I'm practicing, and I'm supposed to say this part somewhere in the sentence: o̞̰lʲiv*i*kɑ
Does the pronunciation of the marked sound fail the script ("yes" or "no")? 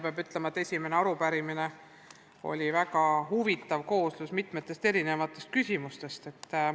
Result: yes